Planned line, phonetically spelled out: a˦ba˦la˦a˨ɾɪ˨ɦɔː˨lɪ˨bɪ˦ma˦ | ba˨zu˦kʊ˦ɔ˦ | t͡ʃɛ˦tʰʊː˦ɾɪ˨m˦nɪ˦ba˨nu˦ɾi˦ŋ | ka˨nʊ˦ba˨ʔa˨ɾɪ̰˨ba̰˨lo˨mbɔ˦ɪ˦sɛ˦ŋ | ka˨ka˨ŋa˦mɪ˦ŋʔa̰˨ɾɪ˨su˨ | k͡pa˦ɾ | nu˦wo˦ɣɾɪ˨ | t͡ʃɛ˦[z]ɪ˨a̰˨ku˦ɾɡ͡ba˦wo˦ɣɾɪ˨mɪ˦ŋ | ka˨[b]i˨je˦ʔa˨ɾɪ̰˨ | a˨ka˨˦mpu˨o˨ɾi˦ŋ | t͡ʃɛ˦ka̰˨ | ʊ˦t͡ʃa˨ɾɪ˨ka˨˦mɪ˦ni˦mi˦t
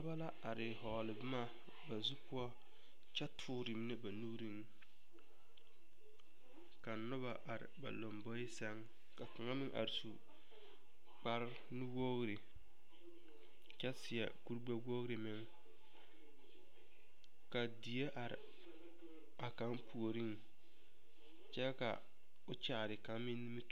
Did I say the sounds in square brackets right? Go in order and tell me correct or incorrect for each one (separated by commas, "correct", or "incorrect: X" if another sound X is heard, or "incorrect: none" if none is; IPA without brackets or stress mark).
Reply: incorrect: s, incorrect: d